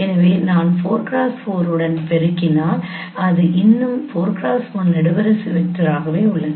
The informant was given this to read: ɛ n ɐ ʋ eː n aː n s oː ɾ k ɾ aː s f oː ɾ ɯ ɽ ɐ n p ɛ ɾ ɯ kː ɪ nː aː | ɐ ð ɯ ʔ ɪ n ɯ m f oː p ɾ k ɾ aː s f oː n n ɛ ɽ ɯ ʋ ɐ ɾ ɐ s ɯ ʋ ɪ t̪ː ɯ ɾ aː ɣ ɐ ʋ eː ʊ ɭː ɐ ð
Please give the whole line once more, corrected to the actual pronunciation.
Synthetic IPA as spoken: ɛ n ɐ ʋ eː n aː n f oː ɾ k ɾ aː s f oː ɾ ɯ ɽ ɐ n p ɛ ɾ ɯ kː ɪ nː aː | ɐ ð ɯ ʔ ɪ nː ɯ m f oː ɾ k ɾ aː s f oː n n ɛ ɽ ɯ ʋ ɐ ɾ ɐ s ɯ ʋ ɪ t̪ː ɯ ɾ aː ɣ ɐ ʋ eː ʊ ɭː ɐ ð